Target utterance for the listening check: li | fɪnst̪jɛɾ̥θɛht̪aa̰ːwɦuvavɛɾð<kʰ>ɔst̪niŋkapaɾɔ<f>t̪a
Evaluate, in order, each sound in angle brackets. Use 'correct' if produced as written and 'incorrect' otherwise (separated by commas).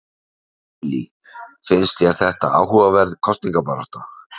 correct, incorrect